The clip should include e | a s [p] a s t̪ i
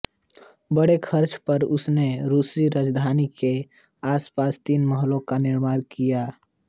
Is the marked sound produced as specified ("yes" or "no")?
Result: yes